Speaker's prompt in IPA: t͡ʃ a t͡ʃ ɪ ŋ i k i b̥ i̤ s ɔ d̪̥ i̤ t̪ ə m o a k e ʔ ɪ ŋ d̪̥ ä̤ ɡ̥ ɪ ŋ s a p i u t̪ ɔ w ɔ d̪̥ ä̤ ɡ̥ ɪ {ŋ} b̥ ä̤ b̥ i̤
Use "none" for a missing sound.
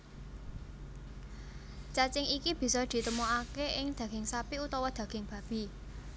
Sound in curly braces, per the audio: ŋ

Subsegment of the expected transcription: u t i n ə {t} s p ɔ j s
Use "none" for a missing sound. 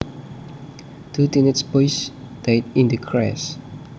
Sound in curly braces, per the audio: t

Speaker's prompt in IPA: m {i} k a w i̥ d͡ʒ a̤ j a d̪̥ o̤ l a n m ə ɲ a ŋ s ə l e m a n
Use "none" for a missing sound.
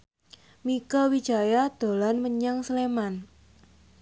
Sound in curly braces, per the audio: i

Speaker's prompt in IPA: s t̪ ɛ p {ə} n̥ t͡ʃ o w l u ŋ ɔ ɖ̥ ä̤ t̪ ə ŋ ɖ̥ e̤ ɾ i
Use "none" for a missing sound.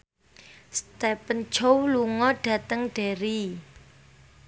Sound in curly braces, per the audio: ə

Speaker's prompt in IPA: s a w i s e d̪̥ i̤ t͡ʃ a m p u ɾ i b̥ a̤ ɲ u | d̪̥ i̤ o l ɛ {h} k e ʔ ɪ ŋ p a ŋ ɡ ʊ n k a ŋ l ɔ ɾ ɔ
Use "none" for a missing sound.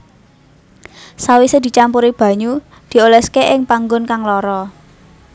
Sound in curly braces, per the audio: s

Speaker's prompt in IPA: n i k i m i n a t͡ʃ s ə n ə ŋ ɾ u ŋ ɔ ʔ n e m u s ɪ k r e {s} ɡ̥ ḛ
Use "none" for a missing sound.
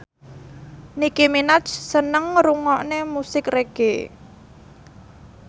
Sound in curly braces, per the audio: none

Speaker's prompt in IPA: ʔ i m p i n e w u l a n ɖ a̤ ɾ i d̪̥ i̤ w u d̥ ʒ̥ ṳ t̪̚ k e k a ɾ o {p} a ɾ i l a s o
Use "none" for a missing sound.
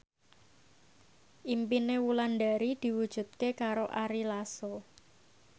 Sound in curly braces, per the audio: ʔ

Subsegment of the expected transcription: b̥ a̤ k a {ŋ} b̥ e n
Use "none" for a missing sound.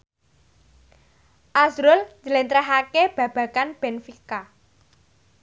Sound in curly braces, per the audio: n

